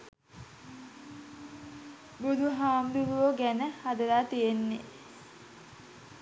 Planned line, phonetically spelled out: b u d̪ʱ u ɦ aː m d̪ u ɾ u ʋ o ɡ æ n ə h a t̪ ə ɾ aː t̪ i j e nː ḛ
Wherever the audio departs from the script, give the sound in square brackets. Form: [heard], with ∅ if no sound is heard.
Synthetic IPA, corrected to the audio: b u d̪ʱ u ɦ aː m d̪ u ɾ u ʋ o ɡ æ n ə h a [d̪] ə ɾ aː t̪ i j e nː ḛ